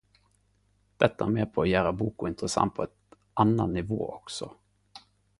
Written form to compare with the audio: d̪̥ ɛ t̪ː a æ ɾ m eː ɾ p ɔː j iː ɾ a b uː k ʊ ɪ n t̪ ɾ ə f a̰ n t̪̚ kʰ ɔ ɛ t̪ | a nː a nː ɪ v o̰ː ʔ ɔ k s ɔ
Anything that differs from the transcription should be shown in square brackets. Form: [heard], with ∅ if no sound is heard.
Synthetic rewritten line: d̪̥ ɛ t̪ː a æ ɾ m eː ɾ [pʰ] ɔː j [æː] ɾ a b uː k ʊ ɪ n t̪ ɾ ə [s] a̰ n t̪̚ [pʰ] ɔ ɛ t̪ | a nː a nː ɪ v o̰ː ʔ ɔ k s ɔ

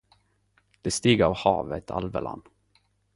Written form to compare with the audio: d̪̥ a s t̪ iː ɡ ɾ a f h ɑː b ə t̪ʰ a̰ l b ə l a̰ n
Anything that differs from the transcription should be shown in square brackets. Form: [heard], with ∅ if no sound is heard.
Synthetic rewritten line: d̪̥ [ɛ] s t̪ iː ɡ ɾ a [v] h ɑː [v] ə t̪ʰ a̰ l [v] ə l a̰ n

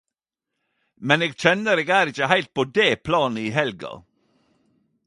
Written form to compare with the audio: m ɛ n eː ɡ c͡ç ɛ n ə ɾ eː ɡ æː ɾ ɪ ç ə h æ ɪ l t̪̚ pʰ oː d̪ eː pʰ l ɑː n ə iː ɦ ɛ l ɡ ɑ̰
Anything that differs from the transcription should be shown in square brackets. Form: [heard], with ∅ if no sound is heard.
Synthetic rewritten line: m ɛ n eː ɡ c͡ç ɛ n ə ɾ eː ɡ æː ɾ ɪ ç ə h æ ɪ l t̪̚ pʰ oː d̪ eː pʰ l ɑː n ə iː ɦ ɛ l ɡ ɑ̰

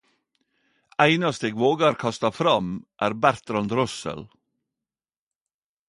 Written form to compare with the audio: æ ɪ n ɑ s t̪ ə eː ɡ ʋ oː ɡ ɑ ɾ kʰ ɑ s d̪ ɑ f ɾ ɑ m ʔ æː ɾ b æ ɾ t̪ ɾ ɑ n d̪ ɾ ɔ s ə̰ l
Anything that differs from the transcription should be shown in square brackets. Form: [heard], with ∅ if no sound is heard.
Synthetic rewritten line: æ ɪ n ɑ s t̪ ə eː ɡ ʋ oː ɡ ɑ ɾ kʰ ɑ s [t̪] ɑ f ɾ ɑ m ʔ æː ɾ b æ ɾ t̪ ɾ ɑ n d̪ ɾ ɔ s ə̰ l

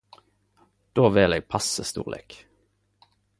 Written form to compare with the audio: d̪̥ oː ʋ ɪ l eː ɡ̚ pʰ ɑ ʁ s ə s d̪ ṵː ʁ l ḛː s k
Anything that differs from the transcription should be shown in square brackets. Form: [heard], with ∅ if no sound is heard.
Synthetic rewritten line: d̪̥ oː ʋ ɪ l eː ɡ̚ pʰ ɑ [∅] s ə s [t̪] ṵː ʁ l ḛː [∅] k

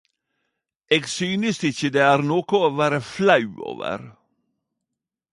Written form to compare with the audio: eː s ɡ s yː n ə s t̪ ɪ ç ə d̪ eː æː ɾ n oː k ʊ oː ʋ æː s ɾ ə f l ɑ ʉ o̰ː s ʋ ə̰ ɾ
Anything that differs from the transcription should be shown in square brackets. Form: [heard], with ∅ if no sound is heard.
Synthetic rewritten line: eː [∅] ɡ s yː n ə s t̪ ɪ ç ə d̪ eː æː ɾ n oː k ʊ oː ʋ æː [∅] ɾ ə f l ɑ ʉ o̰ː [∅] ʋ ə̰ ɾ

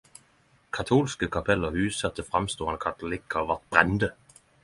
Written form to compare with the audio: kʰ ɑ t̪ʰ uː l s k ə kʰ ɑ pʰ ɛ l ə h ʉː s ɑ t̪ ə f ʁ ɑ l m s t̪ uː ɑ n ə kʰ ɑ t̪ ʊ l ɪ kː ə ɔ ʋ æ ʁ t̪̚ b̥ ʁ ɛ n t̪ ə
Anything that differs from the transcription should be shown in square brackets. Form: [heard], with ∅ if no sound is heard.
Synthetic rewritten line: kʰ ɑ t̪ʰ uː l s k ə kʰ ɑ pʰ ɛ l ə h ʉː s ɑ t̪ ə f ʁ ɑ [∅] m s t̪ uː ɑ n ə kʰ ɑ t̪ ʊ l ɪ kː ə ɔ ʋ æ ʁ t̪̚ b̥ ʁ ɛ n [d̪] ə

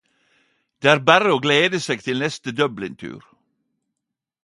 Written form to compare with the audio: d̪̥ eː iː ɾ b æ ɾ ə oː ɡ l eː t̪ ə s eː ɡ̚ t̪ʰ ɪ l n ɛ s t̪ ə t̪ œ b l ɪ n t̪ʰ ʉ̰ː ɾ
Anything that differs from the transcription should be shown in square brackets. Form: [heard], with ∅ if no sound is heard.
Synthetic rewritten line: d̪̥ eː [æː] ɾ b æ ɾ ə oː ɡ l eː [d̪] ə s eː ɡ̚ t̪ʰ ɪ l n ɛ s t̪ ə [d̪] œ b l ɪ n t̪ʰ ʉ̰ː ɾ

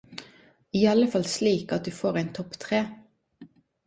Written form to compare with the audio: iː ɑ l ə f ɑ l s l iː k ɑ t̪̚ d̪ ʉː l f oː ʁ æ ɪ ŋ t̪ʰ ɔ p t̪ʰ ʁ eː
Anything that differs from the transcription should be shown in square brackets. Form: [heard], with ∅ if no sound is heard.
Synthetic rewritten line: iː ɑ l ə f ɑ l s l iː k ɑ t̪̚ d̪ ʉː [∅] f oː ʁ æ ɪ [n] t̪ʰ ɔ p t̪ʰ ʁ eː

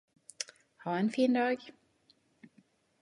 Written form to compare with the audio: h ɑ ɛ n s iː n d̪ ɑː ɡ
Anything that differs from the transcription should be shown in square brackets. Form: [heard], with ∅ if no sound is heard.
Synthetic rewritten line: h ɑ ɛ n [f] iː n d̪ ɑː ɡ

